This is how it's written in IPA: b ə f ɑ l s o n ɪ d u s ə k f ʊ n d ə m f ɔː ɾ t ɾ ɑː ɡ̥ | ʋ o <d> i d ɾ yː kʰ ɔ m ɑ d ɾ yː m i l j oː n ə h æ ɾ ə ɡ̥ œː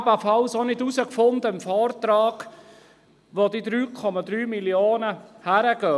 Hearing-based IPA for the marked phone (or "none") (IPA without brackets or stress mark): d